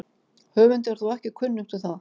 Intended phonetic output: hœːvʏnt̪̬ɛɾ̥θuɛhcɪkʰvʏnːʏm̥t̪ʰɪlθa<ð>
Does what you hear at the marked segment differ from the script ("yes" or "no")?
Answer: no